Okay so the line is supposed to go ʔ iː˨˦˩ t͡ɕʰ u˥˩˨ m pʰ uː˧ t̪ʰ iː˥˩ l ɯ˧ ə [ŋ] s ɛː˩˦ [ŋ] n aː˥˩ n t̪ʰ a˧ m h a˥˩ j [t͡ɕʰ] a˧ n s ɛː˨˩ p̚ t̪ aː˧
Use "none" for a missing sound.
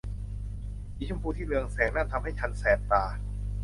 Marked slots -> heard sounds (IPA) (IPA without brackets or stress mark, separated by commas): ŋ, ŋ, t͡ɕʰ